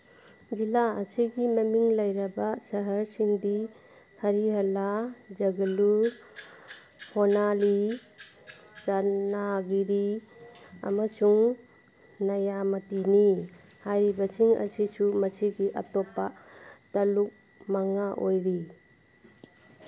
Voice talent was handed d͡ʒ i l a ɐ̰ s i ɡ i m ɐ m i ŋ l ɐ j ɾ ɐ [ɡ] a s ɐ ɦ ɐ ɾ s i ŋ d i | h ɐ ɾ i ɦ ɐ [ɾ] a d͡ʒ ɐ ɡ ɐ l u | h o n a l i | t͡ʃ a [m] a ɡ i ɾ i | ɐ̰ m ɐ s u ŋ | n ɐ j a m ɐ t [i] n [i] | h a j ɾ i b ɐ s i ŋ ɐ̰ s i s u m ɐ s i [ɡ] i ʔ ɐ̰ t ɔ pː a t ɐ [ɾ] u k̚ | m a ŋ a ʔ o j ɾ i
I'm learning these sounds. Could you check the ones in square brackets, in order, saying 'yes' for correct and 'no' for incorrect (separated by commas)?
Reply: no, no, no, yes, yes, yes, no